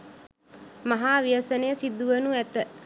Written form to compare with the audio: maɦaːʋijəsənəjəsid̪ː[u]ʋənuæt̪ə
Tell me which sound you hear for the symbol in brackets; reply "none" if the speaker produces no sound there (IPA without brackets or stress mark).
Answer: u